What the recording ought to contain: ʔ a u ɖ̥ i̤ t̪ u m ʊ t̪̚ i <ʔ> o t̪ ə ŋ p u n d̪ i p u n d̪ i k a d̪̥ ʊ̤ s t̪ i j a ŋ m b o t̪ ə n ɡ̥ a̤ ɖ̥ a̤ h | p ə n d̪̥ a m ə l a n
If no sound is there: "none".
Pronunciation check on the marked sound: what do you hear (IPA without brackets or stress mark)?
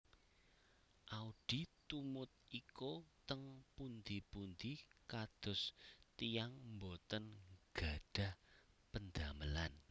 k